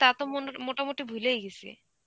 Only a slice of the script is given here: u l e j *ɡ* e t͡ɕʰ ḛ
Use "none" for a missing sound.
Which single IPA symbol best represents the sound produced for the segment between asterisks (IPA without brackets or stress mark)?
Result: ɡ